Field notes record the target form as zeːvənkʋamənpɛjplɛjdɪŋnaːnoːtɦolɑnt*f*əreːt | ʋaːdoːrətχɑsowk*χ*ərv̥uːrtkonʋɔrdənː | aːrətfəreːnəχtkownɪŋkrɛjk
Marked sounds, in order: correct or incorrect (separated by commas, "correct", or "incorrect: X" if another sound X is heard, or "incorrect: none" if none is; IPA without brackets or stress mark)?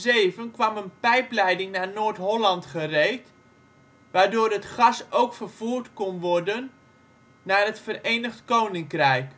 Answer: incorrect: χ, incorrect: f